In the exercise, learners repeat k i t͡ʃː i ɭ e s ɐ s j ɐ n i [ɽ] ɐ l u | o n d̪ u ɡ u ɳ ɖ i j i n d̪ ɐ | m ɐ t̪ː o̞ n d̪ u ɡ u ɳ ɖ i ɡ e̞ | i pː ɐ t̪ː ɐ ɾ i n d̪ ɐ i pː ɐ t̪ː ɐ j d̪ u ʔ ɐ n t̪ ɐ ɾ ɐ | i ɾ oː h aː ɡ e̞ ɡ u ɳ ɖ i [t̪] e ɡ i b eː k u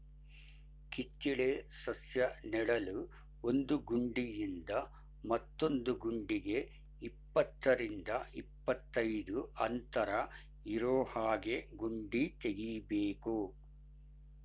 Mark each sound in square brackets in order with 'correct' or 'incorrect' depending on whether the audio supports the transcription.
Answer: correct, correct

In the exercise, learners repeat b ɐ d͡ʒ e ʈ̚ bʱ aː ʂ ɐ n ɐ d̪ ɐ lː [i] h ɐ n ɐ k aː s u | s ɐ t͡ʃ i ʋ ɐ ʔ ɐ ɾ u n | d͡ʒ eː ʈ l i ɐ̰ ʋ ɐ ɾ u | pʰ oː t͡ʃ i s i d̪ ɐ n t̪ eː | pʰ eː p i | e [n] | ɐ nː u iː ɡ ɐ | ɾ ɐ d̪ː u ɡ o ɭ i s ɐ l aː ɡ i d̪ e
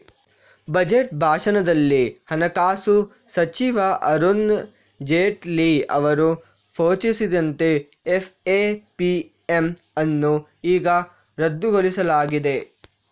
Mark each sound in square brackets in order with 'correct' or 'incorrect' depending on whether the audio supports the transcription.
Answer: correct, incorrect: m

